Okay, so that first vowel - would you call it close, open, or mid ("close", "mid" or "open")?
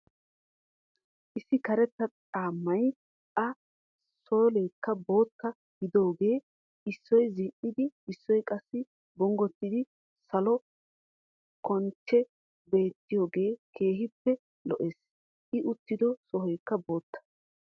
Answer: close